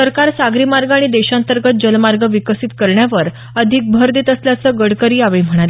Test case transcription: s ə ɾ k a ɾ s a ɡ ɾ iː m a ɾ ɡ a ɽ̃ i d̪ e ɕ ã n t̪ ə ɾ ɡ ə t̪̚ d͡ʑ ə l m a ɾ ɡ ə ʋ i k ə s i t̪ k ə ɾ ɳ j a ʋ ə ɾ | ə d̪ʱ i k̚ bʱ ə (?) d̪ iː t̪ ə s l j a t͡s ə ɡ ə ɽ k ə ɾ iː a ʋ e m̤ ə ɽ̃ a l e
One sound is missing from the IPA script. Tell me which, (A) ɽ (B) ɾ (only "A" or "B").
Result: B